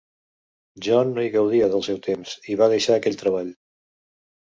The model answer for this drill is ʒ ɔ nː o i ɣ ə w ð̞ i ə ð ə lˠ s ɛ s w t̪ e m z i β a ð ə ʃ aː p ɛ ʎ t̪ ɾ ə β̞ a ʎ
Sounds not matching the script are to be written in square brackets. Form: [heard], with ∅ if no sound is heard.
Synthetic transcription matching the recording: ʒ ɔ nː o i ɣ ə w ð̞ i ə ð ə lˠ s ɛ [∅] w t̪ e m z i β a ð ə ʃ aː [k] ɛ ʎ t̪ ɾ ə β̞ a ʎ